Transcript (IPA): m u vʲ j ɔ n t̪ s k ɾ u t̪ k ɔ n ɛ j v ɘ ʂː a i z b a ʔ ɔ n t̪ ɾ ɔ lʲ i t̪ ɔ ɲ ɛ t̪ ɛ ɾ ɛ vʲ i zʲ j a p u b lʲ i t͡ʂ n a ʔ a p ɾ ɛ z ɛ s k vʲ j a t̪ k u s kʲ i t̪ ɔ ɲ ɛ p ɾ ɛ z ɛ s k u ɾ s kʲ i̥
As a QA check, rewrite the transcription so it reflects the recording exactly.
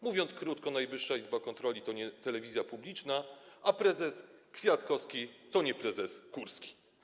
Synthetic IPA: m u vʲ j ɔ n t̪ s k ɾ u t̪ k ɔ n a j v ɘ ʂː a i z b a k ɔ n t̪ ɾ ɔ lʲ i t̪ ɔ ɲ ɛ t̪ ɛ l ɛ vʲ i zʲ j a p u b lʲ i t͡ʂ n a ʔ a p ɾ ɛ z ɛ s k fʲ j a t̪ k ɔ s kʲ i t̪ ɔ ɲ ɛ p ɾ ɛ z ɛ s k u ɾ s kʲ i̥